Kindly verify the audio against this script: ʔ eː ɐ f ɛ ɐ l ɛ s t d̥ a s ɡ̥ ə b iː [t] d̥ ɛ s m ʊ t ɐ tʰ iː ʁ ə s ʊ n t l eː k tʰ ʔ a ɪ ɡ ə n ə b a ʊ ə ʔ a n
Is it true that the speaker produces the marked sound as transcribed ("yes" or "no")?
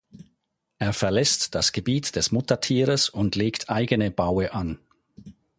yes